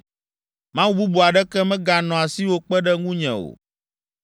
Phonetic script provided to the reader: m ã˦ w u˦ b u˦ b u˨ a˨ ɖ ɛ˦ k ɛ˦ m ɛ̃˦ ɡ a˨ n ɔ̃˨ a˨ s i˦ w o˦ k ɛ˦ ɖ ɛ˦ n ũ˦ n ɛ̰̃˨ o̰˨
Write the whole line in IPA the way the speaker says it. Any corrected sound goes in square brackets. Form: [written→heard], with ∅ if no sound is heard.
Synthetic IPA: m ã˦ w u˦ b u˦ b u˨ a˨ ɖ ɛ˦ k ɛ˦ m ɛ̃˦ ɡ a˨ n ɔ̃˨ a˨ s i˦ w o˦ [k→k͡p] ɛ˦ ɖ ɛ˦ [n→ŋ] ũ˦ [n→ɲ] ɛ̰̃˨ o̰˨

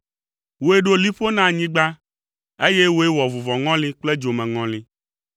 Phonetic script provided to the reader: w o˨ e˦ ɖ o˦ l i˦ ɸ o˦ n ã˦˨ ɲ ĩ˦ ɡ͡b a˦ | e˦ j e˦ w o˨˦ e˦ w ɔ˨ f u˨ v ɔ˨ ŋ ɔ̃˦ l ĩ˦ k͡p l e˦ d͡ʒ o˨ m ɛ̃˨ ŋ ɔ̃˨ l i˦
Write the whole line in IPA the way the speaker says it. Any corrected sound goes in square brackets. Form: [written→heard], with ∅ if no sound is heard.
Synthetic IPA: w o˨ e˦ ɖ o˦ l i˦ ɸ o˦ n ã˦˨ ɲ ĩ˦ ɡ͡b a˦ | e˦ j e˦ w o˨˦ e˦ w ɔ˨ [f→v] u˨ v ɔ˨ ŋ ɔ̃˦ l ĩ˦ k͡p l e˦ d͡ʒ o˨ m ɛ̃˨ ŋ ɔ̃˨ l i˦

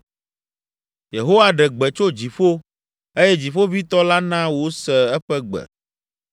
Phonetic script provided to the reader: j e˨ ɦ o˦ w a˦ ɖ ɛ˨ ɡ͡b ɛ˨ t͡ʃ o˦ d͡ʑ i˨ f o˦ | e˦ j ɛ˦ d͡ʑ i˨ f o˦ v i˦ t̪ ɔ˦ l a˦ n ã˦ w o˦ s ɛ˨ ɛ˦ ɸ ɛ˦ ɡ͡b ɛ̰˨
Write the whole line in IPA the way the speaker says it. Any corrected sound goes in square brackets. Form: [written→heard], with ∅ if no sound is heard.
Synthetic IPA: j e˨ ɦ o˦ w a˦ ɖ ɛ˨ ɡ͡b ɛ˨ t͡ʃ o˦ d͡ʑ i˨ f o˦ | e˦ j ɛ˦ d͡ʑ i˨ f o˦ v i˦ t̪ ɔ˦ l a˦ n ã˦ w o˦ s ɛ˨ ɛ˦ ɸ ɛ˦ ɡ͡b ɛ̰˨

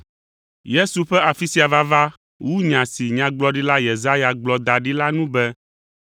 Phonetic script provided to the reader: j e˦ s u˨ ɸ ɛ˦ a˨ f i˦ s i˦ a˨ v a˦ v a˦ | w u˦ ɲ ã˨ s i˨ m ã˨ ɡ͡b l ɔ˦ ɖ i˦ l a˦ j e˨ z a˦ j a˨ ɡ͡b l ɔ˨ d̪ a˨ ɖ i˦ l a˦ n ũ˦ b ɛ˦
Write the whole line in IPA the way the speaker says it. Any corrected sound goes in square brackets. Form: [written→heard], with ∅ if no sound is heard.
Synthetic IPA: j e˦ s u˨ ɸ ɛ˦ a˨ f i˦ s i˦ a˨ v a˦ v a˦ | w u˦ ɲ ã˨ s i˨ [m→ɲ] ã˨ ɡ͡b l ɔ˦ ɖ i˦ l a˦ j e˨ z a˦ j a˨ ɡ͡b l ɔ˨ d̪ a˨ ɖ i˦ l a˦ n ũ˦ b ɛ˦

